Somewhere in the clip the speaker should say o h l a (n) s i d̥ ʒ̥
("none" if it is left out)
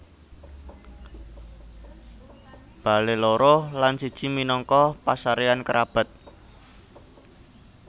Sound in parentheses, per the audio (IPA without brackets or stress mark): n